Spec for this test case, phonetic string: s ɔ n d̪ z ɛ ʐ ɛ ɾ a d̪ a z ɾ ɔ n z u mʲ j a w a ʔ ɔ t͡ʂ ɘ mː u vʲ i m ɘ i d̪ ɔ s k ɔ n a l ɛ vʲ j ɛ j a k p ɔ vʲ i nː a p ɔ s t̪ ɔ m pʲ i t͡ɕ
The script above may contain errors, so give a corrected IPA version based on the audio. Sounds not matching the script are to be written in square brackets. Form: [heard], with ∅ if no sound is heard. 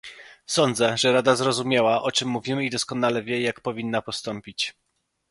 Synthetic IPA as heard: s ɔ n d̪ z ɛ ʐ ɛ ɾ a d̪ a z ɾ ɔ [∅] z u mʲ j a w a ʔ ɔ t͡ʂ ɘ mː u vʲ i m ɘ i d̪ ɔ s k ɔ n a l ɛ vʲ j ɛ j a k p ɔ vʲ i nː a p ɔ s t̪ ɔ m pʲ i t͡ɕ